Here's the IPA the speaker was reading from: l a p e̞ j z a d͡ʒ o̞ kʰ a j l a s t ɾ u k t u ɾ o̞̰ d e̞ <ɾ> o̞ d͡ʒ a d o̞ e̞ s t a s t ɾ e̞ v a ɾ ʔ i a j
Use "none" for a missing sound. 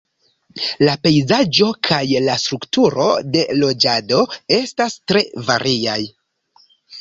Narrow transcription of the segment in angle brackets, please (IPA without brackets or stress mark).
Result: l